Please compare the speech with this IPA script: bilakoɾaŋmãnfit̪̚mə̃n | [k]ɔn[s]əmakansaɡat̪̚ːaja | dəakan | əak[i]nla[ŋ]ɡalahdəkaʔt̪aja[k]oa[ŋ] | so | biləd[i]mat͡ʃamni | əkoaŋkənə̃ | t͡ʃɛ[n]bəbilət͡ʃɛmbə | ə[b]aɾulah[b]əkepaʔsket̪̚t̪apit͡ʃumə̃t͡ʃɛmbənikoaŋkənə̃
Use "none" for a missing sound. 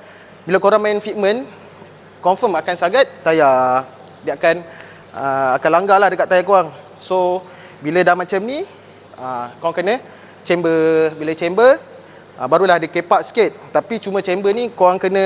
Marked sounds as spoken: k, f, a, ŋ, k, ŋ, a, m, b, d

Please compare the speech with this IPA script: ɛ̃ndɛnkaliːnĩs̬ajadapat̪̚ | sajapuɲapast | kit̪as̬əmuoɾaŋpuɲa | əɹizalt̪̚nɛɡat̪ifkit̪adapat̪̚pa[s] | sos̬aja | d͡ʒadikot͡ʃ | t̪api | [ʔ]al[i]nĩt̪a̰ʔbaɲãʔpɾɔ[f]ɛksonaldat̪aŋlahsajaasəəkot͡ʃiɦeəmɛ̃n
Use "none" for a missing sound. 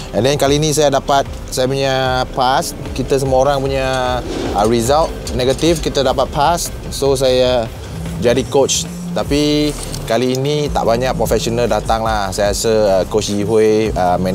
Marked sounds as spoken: s, k, iː, f

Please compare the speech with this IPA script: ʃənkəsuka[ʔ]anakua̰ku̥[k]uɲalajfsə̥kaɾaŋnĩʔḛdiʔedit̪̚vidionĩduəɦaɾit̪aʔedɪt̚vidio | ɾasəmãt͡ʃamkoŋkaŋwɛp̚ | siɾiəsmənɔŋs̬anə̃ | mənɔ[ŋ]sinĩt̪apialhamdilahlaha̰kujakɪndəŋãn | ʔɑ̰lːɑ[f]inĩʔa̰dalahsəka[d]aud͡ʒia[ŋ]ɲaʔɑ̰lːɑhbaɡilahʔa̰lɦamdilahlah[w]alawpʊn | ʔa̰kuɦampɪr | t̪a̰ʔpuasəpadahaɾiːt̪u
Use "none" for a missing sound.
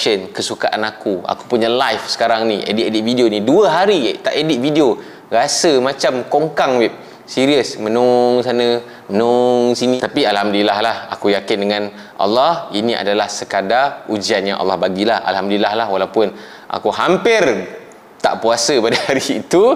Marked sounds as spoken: ʔ, p, ŋ, h, d, n, w

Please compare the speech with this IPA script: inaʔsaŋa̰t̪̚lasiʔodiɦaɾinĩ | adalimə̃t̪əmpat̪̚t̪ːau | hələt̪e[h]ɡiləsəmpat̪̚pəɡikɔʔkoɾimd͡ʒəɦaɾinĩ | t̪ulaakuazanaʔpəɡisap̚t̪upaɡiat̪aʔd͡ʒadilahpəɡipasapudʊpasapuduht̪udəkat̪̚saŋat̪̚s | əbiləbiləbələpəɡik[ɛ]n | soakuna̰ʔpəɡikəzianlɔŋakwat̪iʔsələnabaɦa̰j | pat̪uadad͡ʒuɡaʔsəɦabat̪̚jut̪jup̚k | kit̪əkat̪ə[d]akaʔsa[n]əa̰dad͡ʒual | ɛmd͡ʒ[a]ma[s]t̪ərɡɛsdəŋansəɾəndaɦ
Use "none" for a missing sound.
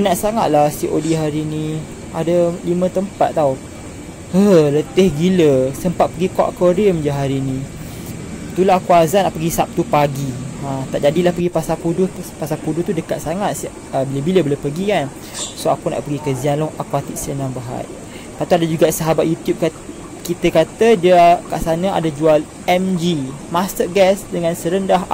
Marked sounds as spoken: h, a, d, n, i, s

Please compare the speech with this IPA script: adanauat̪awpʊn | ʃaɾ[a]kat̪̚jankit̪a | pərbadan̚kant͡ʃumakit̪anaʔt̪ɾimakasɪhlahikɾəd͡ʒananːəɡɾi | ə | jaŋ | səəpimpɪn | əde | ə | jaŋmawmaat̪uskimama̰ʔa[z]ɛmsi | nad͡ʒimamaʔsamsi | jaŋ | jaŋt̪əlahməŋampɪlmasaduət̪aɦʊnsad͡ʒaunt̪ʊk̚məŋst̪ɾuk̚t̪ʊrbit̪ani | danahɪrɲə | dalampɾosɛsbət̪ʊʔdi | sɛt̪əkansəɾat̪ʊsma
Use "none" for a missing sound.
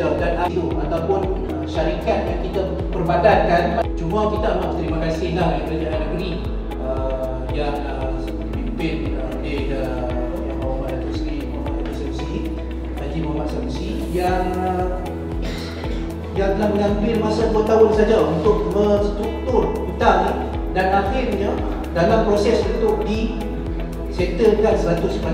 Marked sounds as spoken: i, s

